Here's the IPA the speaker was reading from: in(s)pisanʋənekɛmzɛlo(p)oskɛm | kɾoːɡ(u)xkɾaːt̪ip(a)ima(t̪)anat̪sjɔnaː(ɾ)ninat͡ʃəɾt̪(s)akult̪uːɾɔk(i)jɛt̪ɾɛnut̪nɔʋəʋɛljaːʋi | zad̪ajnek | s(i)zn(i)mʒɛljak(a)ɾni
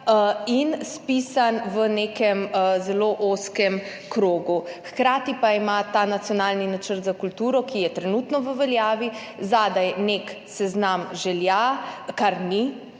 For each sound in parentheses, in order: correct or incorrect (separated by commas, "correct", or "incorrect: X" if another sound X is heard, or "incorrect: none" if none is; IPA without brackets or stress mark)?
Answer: correct, incorrect: ʔ, correct, correct, correct, incorrect: l, incorrect: z, correct, incorrect: ɛ, incorrect: a, correct